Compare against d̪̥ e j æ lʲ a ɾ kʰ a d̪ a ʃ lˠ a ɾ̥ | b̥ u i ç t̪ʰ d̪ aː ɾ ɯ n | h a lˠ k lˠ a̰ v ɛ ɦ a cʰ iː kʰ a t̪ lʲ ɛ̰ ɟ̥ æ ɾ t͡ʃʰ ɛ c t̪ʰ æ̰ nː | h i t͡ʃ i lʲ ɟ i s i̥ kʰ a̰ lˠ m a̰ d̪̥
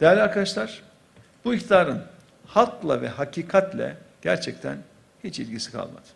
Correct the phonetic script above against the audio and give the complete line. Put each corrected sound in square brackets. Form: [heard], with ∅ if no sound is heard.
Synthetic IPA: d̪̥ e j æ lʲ a ɾ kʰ a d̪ a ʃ lˠ a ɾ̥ | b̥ u i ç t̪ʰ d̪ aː ɾ ɯ n | h a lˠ k lˠ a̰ v ɛ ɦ a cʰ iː kʰ a t̪ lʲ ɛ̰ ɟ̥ æ ɾ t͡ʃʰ ɛ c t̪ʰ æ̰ [n] | h i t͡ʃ i lʲ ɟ i s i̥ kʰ a̰ lˠ m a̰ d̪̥